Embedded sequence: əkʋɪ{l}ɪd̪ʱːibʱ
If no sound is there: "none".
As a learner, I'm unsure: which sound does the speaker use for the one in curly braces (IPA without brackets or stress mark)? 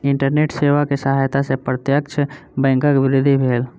ɾ